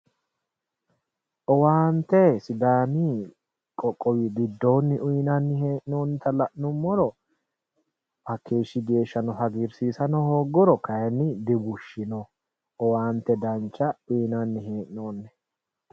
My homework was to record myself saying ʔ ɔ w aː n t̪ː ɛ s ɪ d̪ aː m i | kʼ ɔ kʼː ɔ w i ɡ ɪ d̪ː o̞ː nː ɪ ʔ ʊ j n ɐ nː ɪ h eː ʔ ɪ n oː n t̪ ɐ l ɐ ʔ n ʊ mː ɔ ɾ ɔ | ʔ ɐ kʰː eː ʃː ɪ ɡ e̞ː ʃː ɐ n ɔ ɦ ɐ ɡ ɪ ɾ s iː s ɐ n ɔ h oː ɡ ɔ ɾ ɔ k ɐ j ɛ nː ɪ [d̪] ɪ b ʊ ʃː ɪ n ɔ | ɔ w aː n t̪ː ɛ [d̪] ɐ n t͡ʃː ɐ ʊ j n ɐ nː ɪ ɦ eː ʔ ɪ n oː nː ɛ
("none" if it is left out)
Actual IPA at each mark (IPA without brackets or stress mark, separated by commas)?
d̪, d̪